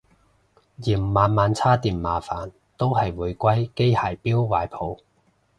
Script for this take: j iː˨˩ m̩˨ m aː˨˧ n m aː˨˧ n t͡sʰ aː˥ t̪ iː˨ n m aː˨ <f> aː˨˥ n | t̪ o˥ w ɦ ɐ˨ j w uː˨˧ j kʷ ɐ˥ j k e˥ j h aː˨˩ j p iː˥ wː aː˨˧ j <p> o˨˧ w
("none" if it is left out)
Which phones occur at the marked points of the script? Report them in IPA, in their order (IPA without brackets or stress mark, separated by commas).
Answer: f, pʰ